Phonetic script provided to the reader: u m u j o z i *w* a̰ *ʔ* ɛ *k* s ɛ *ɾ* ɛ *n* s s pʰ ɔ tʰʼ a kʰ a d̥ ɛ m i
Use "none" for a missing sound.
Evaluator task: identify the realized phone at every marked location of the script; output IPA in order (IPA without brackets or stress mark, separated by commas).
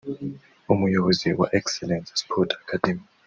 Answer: w, ʔ, k, l, n